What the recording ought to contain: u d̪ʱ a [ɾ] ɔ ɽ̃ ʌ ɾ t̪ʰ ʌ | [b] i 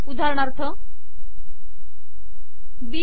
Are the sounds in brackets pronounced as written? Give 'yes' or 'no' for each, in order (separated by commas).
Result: yes, yes